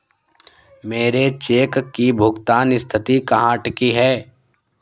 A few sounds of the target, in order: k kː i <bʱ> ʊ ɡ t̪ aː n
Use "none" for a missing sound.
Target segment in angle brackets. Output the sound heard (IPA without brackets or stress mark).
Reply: bʱ